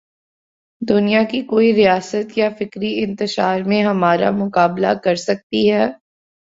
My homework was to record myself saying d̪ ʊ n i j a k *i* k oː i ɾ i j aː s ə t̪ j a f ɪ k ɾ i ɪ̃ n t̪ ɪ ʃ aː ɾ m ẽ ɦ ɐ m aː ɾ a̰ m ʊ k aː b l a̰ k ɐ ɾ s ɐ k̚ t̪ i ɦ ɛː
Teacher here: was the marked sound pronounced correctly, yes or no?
yes